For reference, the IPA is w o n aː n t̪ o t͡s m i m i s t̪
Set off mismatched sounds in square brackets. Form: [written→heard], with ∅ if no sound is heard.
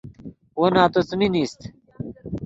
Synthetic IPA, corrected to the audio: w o n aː [n→∅] t̪ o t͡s m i [m→n] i s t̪